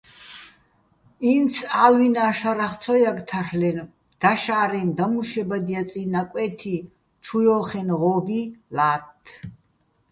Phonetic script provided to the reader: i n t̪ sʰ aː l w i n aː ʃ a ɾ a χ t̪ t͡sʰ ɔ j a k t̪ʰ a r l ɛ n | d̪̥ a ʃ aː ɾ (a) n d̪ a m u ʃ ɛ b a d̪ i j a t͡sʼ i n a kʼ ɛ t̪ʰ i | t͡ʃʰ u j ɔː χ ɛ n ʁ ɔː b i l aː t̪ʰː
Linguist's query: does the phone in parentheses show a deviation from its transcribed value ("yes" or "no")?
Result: yes